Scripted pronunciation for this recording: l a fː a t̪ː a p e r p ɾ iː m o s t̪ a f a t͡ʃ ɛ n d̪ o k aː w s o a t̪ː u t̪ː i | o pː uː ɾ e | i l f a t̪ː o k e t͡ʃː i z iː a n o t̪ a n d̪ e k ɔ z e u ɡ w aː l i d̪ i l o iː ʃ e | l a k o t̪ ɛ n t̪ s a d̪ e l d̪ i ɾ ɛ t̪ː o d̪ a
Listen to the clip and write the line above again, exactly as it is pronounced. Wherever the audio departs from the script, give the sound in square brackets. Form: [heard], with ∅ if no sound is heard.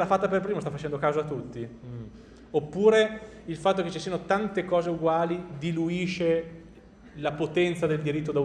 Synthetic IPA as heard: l a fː a t̪ː a p e r p ɾ iː m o s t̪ a f a t͡ʃ ɛ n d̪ o k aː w [z] o a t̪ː u t̪ː i | o pː uː ɾ e | i l f a t̪ː o k e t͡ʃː i [s] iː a n o t̪ a n [t̪] e k [ɔː] z e u ɡ w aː l i d̪ i l [u] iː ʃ e | l a [p] o t̪ ɛ n t̪ s a d̪ e l d̪ i ɾ [i] t̪ː o d̪ a